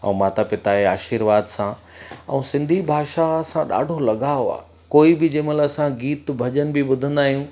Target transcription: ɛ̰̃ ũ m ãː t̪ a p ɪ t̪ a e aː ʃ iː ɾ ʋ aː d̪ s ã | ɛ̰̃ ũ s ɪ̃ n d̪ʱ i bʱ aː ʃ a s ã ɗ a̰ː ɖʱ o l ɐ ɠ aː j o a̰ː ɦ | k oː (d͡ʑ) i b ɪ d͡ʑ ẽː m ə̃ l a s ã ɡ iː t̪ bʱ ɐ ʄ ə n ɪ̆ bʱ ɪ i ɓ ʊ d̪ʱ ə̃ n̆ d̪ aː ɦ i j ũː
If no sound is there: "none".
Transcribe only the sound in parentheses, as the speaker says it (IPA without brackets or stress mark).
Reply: none